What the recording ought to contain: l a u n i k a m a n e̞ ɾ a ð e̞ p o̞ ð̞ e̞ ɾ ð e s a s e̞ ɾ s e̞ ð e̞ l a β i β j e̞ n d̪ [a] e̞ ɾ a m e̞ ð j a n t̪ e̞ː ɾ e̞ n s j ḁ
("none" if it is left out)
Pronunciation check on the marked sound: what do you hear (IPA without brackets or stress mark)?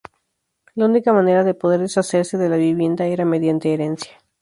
a